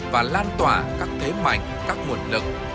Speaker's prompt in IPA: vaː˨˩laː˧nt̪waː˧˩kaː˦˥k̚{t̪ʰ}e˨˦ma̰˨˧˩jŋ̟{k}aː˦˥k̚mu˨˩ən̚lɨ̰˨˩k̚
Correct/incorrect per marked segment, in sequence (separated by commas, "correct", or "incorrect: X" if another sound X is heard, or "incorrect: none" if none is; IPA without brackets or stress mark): correct, correct